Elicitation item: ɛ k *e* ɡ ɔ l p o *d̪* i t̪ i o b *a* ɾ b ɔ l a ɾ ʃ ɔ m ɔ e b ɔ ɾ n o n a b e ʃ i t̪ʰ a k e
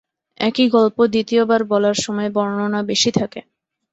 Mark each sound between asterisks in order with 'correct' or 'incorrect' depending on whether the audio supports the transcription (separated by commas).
incorrect, correct, correct